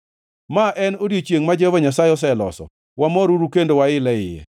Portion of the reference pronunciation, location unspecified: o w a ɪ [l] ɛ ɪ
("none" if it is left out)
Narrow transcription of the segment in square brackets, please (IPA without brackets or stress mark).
l